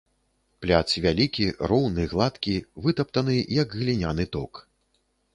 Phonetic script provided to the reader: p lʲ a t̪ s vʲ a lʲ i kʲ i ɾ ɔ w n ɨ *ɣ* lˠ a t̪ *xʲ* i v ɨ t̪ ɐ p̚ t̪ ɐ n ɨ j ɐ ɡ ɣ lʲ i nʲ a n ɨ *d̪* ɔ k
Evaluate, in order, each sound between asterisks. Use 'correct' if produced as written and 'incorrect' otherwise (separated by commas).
correct, incorrect, incorrect